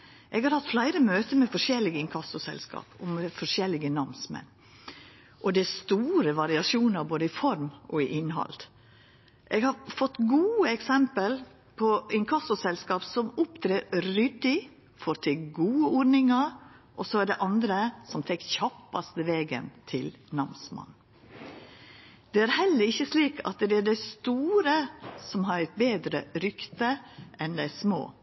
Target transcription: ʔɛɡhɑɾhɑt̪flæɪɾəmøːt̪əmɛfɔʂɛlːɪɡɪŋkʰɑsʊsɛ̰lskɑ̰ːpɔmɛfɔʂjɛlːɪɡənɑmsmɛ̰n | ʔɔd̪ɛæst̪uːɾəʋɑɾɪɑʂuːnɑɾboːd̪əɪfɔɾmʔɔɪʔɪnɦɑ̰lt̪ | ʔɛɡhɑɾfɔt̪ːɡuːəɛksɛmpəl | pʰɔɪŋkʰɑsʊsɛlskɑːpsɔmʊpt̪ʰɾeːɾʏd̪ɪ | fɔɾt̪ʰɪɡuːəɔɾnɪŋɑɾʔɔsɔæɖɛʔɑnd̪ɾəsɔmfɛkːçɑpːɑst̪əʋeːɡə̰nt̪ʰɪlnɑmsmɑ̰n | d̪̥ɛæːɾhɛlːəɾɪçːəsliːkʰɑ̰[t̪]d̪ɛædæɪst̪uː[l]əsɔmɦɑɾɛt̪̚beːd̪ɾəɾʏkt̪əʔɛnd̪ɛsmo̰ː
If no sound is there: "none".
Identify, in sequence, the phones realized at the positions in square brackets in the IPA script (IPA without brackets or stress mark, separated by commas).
t̪, ɾ